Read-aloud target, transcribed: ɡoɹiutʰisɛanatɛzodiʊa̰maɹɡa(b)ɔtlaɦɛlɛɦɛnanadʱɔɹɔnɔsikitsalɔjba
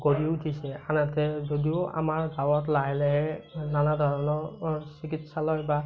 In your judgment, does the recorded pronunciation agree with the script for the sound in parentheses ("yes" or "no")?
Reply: no